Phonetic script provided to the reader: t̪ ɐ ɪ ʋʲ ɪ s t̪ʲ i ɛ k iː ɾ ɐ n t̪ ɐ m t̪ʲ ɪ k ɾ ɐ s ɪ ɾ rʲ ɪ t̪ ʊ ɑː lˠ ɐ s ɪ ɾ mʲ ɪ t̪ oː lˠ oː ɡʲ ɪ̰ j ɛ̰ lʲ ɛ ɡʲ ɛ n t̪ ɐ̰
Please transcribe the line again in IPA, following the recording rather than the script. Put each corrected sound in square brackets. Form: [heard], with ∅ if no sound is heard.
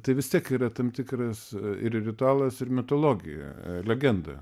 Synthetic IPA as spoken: t̪ ɐ ɪ ʋʲ ɪ s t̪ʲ i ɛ k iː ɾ ɐ [∅] t̪ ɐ m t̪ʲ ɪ k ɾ ɐ s ɪ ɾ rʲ ɪ t̪ ʊ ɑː lˠ ɐ s ɪ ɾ mʲ ɪ t̪ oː lˠ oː ɡʲ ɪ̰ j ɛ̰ lʲ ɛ ɡʲ ɛ n [d̪] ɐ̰